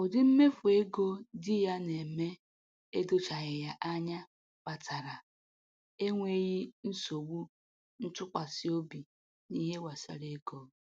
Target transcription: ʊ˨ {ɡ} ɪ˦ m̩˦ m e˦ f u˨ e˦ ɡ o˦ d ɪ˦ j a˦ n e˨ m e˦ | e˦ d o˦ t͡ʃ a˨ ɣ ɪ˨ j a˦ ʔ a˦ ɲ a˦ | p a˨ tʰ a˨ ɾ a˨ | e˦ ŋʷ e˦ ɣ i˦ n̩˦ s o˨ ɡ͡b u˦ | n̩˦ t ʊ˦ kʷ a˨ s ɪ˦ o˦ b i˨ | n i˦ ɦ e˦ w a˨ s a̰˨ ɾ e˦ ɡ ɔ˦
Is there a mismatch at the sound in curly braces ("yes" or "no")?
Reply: yes